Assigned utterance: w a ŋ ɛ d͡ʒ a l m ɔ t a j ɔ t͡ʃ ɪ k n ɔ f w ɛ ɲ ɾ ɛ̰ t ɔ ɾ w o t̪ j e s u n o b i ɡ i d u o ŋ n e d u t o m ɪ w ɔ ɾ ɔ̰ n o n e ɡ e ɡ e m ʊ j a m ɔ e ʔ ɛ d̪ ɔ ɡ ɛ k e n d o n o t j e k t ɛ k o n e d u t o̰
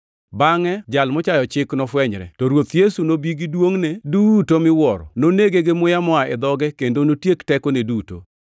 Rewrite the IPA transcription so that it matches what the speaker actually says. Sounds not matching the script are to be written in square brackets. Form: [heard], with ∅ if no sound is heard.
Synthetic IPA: [b] a ŋ ɛ d͡ʒ a l m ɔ [t͡ʃ] a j ɔ t͡ʃ ɪ k n ɔ f w ɛ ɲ ɾ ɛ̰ t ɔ ɾ w o t̪ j e s u n o b i ɡ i d [w] o ŋ n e d u t o m ɪ w ɔ ɾ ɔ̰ n o n e ɡ e ɡ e m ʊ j a m ɔ [a] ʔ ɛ d̪ ɔ ɡ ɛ k e n d o n o t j e k t ɛ k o n e d u t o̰